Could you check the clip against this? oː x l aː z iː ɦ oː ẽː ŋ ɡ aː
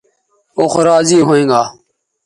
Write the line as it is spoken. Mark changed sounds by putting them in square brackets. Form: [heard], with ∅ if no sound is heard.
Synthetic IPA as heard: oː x [ɾ] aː z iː ɦ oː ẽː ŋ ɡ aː